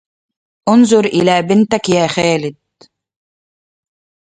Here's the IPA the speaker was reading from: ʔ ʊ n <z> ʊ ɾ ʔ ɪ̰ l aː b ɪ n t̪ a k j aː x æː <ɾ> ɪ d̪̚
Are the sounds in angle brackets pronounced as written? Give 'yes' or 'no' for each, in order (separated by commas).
yes, no